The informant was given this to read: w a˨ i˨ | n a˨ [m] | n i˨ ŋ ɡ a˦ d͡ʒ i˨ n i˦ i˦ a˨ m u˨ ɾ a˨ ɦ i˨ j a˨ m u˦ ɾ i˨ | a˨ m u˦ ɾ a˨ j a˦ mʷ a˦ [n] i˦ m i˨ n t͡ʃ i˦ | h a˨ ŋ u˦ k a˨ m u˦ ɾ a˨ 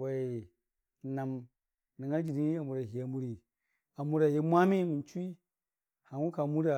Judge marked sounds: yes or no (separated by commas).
yes, no